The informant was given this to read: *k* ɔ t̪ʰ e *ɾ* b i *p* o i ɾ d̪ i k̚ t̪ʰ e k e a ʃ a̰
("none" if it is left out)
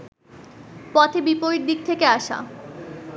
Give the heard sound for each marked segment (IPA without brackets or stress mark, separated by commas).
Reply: p, none, p